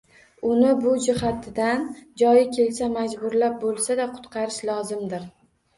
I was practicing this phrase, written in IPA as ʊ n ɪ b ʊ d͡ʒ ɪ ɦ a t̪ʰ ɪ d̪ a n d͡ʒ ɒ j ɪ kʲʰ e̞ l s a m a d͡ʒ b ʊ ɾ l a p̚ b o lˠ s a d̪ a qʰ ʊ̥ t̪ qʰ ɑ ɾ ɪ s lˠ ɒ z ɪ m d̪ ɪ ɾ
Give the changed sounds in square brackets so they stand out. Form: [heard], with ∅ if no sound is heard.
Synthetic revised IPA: ʊ n ɪ b ʊ d͡ʒ ɪ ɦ a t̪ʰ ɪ d̪ a n d͡ʒ ɒ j ɪ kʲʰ e̞ l s a m a d͡ʒ b ʊ ɾ l a p̚ b o lˠ s a d̪ a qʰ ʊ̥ t̪ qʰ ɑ ɾ ɪ [ʃ] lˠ ɒ z ɪ m d̪ ɪ ɾ